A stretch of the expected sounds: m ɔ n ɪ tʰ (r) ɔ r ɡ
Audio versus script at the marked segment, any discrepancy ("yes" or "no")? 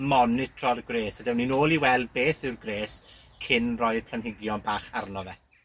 no